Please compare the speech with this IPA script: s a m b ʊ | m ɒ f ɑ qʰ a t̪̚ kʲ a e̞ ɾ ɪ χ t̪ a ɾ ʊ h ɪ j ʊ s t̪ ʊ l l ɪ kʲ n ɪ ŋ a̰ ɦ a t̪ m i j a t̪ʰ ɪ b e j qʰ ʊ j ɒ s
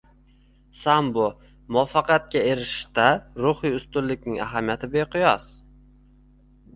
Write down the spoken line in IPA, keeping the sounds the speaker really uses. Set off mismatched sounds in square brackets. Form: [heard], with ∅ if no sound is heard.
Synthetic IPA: s a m b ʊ | m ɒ f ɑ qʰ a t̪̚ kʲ a e̞ ɾ ɪ [ʃ] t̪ a ɾ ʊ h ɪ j ʊ s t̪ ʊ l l ɪ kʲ n ɪ ŋ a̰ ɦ a [∅] m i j a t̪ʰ ɪ b e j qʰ ʊ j ɒ s